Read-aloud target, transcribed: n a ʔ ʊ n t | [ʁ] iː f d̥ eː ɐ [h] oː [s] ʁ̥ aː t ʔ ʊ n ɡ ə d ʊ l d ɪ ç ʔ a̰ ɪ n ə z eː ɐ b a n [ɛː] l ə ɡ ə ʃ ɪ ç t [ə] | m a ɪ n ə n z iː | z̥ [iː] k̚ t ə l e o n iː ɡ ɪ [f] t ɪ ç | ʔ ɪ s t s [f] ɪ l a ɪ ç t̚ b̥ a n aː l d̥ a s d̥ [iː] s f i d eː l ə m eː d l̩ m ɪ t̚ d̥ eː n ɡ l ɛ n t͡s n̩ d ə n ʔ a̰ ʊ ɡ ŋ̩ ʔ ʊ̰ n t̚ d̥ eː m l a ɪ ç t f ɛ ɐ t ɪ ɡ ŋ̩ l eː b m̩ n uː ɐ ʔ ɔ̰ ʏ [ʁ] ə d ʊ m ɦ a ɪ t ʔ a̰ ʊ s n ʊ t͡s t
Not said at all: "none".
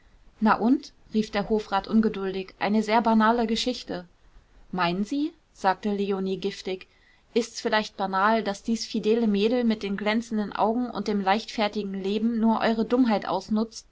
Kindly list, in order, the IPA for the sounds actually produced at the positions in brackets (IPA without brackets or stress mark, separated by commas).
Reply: ʁ, h, f, aː, ə, aː, f, f, iː, ʁ